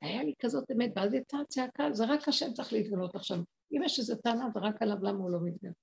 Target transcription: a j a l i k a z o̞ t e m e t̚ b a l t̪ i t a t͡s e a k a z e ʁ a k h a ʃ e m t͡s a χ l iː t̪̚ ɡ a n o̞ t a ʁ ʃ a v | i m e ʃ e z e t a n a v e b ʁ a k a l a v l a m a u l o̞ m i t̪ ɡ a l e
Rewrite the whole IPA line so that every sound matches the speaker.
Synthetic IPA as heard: a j a l i k a z o̞ t e m e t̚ b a l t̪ i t a t͡s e a k a z e ʁ a k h a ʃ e m t͡s a χ l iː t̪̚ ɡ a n o̞ t a χ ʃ a v | i m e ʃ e z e t a n a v e ʁ a k a l a v l a m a u l o̞ m i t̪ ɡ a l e